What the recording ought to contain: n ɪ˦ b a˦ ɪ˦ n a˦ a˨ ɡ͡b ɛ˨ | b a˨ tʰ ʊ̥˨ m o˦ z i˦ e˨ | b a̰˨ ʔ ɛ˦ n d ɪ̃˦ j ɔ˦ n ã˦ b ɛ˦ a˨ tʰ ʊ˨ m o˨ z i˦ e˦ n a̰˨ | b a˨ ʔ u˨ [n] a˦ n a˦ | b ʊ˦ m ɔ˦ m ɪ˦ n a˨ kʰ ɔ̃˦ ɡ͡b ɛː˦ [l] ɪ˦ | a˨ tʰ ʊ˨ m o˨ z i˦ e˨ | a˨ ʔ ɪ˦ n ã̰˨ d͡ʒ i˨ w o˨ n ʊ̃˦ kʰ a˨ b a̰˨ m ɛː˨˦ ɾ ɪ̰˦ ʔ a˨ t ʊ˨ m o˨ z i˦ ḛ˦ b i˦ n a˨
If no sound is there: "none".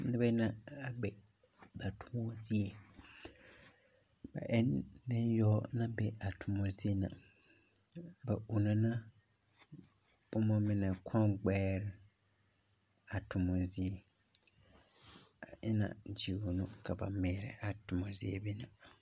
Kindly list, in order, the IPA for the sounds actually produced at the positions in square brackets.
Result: n, ɾ

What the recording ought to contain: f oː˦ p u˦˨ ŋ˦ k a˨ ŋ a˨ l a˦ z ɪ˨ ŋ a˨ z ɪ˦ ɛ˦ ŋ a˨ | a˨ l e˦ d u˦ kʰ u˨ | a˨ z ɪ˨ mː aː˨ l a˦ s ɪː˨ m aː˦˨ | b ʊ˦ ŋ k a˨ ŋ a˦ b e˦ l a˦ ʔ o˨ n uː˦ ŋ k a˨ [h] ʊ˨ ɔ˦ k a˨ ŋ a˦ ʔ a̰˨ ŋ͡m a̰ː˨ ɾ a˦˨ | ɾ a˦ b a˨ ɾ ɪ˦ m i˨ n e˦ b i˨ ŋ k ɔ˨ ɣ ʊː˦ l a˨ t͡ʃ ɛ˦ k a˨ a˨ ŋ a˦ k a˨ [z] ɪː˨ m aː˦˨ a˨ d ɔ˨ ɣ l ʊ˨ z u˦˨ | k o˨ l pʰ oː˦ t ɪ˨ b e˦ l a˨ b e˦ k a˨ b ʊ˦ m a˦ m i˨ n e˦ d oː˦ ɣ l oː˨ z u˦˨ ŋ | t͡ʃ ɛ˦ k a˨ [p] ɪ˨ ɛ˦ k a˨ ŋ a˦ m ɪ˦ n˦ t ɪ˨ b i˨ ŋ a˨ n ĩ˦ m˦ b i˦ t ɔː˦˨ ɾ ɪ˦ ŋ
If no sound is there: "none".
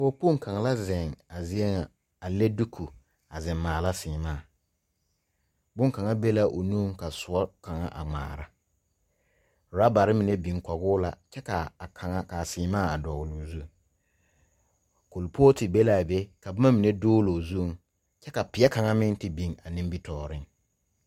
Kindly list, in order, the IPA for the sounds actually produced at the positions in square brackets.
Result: s, s, p

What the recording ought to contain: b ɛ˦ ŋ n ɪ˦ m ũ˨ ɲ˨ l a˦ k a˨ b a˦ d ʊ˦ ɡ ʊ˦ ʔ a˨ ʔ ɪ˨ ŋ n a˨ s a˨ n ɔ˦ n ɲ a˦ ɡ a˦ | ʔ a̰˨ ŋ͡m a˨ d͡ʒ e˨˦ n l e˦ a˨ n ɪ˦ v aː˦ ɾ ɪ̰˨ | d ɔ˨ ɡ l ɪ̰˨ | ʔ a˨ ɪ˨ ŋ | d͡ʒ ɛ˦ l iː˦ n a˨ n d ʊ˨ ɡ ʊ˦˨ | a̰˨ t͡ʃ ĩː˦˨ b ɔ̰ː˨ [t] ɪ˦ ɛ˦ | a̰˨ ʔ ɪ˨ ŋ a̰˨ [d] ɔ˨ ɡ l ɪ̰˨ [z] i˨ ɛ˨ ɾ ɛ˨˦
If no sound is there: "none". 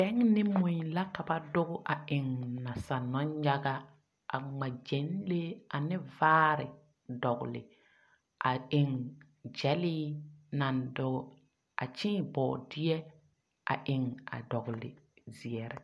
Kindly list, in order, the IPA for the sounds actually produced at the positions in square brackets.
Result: d, d, z

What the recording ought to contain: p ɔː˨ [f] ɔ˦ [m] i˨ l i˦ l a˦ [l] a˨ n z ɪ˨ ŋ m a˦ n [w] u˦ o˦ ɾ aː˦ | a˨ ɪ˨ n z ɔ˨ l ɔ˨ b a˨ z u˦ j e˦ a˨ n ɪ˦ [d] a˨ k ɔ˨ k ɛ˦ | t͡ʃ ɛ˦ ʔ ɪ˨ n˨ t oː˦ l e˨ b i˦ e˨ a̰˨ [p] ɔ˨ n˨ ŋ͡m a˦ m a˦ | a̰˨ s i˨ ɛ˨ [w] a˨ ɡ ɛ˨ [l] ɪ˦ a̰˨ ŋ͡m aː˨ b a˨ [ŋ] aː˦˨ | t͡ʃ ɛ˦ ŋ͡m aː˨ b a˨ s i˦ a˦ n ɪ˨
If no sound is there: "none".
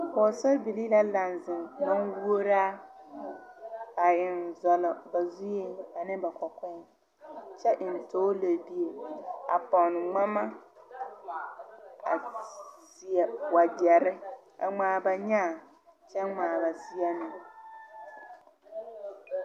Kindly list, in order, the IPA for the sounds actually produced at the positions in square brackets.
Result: s, b, l, w, b, p, w, ɾ, ɲ

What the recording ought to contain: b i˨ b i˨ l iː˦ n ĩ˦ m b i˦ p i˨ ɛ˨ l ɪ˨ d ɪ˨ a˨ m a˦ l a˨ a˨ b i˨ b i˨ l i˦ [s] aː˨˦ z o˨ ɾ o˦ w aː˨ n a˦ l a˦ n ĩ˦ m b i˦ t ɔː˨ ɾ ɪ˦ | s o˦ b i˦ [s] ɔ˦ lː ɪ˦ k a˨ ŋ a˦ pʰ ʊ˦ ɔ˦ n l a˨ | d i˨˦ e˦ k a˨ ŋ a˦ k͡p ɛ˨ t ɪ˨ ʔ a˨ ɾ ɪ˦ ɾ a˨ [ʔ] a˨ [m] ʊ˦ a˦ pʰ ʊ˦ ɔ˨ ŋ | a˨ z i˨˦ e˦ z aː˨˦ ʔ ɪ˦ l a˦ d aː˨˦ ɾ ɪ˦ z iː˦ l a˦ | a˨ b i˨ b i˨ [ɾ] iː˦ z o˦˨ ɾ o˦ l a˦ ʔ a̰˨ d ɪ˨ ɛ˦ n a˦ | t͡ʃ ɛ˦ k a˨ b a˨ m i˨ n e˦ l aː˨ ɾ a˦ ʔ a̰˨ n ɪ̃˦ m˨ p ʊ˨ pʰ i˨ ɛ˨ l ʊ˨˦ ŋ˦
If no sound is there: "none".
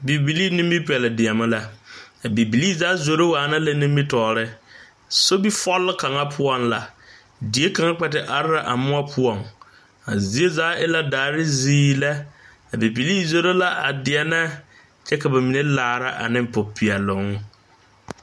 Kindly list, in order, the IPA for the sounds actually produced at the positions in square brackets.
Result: z, f, ʔ, m, l

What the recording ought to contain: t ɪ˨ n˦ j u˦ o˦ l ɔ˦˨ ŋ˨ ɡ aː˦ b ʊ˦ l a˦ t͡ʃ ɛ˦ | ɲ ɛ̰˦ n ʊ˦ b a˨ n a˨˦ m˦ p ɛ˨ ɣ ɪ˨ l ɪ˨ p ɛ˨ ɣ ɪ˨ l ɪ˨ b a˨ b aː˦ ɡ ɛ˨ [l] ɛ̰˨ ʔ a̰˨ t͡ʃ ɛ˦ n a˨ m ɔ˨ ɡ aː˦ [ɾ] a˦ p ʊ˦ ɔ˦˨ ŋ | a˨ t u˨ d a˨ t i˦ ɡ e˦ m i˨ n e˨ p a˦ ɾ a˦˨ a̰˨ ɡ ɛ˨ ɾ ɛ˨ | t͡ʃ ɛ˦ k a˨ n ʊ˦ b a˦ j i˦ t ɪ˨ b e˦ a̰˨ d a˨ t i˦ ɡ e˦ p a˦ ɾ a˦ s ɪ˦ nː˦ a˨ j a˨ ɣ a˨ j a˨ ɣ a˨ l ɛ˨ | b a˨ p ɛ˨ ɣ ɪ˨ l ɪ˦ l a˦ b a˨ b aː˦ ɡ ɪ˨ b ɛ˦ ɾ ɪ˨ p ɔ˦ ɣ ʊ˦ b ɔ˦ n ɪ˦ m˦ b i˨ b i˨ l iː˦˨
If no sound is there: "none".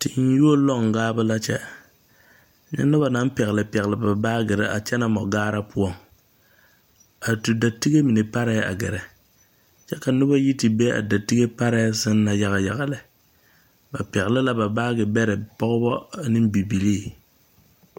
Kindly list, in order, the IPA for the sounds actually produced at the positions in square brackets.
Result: ɾ, ɾ

